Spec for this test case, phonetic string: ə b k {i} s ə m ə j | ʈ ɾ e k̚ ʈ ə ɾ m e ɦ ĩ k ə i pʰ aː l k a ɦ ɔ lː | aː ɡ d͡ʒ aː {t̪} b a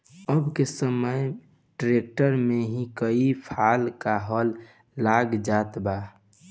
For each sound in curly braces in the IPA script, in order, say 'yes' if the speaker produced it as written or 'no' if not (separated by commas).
no, yes